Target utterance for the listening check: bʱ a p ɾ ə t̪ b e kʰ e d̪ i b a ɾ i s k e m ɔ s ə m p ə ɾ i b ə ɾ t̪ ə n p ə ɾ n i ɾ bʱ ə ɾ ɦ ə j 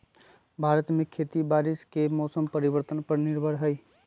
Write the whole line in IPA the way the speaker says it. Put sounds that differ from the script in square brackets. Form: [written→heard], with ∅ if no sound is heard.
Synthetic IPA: bʱ a [p→∅] ɾ ə t̪ [b→m] e kʰ e [d̪→t̪] i b a ɾ i s k e m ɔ s ə m p ə ɾ i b ə ɾ t̪ ə n p ə ɾ n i ɾ bʱ ə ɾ ɦ ə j